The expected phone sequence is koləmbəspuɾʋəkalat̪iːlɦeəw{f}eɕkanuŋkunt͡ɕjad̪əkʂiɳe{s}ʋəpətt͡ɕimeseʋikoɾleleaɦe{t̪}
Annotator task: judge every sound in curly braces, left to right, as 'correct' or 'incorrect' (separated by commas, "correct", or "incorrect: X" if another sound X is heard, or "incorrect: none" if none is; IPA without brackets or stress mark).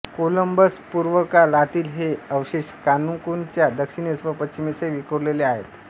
incorrect: ɕ, correct, correct